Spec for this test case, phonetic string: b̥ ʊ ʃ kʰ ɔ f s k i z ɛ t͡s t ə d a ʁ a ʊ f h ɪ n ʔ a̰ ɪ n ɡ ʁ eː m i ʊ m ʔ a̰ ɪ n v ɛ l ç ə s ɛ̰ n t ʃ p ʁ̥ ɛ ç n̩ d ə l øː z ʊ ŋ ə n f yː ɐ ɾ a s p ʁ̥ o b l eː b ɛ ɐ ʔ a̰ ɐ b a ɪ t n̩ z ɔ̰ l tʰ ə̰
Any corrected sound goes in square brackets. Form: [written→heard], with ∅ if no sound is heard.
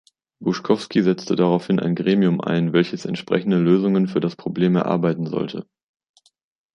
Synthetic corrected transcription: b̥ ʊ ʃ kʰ ɔ f s k i z ɛ t͡s t ə d a ʁ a ʊ f h ɪ n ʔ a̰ ɪ n ɡ ʁ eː m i ʊ m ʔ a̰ ɪ n v ɛ l ç ə s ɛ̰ n t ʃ p ʁ̥ ɛ ç n̩ d ə l øː z ʊ ŋ ə n f yː ɐ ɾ a s p ʁ̥ o b l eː [b→m] ɛ ɐ ʔ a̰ ɐ b a ɪ t n̩ z ɔ̰ l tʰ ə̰